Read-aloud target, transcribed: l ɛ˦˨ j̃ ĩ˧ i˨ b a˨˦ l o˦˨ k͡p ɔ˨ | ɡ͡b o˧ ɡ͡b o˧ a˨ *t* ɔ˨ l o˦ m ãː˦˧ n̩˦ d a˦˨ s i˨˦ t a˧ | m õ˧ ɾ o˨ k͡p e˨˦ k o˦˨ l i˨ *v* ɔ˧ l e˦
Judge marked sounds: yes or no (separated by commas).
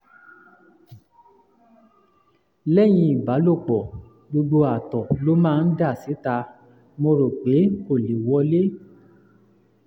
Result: yes, no